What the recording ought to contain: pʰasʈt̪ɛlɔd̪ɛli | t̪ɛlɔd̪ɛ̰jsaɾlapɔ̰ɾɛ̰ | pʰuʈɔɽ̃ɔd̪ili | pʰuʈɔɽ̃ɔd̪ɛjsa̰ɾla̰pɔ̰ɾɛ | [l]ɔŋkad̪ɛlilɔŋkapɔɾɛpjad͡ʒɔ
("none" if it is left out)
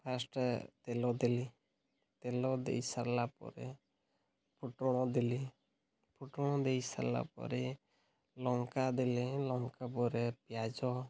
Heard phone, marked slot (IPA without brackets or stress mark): l